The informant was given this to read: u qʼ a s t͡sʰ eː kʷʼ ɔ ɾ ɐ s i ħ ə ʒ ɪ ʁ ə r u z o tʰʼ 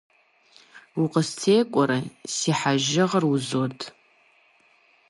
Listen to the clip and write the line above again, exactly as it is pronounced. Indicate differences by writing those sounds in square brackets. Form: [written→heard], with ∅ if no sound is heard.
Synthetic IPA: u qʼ [a→ə] s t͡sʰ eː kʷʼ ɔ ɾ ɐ s i ħ [ə→a] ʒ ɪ ʁ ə r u z o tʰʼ